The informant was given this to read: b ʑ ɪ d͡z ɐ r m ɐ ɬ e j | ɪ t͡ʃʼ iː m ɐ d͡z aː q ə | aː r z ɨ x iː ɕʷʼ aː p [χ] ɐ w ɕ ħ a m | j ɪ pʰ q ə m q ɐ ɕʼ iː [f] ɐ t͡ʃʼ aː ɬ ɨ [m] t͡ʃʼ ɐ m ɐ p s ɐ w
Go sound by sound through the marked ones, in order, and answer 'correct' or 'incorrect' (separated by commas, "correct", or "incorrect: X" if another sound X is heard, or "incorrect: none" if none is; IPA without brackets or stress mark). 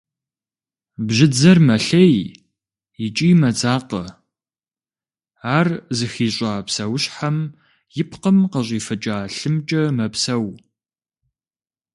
incorrect: s, correct, correct